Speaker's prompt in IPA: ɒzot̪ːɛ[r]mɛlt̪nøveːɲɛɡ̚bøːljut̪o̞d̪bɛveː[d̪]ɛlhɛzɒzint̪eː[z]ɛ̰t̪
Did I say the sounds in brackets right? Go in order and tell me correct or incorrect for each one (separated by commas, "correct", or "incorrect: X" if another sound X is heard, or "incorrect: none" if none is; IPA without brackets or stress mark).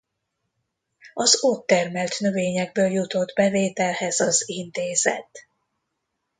correct, incorrect: t̪, correct